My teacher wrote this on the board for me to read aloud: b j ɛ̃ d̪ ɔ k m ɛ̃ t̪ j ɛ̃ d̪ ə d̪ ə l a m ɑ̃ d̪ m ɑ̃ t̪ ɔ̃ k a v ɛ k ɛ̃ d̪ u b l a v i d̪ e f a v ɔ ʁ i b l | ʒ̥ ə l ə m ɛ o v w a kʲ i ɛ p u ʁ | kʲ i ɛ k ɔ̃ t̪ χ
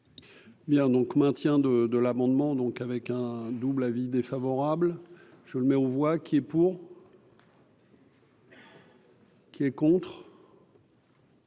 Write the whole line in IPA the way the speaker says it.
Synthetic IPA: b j ɛ̃ d̪ ɔ̃ k m ɛ̃ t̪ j ɛ̃ d̪ ə d̪ ə l a m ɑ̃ d̪ m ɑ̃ d̪ ɔ̃ k a v ɛ k ɛ̃ d̪ u b l a v i d̪ e f a v ɔ ʁ a b l | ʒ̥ ə l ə m ɛ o v w a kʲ i ɛ p u ʁ | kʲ i ɛ k ɔ̃ t̪ χ